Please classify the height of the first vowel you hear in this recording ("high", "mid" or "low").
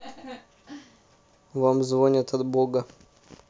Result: low